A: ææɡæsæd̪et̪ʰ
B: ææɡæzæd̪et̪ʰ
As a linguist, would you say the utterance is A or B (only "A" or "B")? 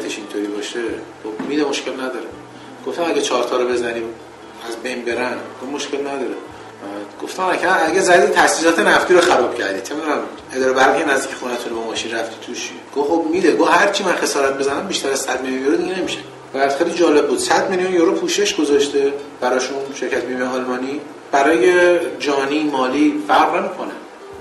B